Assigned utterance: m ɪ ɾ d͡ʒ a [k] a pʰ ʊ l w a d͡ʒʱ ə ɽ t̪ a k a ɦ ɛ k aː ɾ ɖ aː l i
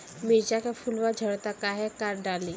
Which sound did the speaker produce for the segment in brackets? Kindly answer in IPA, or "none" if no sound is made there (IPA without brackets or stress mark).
k